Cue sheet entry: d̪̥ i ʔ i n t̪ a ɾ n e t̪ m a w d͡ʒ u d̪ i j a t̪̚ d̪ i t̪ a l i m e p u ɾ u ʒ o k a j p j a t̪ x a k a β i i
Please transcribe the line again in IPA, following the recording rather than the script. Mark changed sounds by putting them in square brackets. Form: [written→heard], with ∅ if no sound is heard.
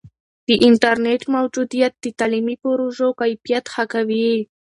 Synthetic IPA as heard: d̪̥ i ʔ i n t̪ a ɾ n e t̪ m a w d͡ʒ u d̪ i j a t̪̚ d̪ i t̪ a l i m [e→i] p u ɾ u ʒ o k a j p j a t̪ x a k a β i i